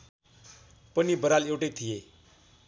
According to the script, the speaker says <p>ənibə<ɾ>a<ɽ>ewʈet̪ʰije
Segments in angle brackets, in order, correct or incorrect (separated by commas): correct, correct, incorrect